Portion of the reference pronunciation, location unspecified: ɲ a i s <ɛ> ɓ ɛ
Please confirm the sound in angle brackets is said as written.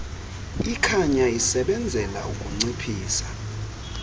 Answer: yes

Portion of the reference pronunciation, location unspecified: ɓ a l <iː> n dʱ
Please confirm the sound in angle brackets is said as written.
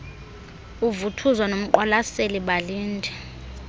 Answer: yes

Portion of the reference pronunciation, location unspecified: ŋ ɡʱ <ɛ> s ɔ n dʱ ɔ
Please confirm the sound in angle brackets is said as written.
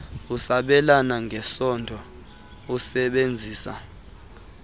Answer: yes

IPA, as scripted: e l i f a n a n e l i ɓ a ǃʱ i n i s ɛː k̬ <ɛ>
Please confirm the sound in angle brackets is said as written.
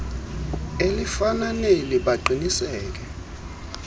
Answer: yes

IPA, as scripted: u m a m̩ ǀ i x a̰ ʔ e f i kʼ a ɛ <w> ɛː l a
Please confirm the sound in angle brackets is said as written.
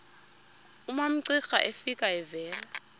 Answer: no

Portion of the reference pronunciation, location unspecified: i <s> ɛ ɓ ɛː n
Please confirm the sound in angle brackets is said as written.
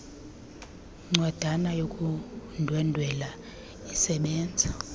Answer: yes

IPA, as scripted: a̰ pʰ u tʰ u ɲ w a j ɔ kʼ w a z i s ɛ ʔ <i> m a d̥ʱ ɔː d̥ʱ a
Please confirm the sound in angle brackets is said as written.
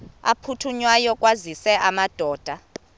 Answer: no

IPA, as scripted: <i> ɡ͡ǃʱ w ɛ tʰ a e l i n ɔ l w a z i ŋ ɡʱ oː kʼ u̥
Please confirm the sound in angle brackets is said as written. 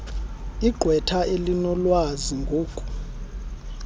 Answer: yes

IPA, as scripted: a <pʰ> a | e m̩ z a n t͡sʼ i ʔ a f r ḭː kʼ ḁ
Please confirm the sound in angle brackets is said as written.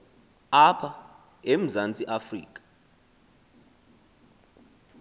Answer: yes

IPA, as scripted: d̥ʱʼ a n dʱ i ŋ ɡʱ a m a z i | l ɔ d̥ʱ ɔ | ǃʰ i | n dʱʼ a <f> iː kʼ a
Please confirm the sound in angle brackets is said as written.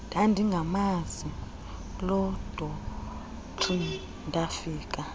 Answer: yes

